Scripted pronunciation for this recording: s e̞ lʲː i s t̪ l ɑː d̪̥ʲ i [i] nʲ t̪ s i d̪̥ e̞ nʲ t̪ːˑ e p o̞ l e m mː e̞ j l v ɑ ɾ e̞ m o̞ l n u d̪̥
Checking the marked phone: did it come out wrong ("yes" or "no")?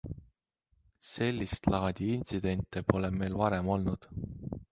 no